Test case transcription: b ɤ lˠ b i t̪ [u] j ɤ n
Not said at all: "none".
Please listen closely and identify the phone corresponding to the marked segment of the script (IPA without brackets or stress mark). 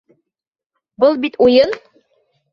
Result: u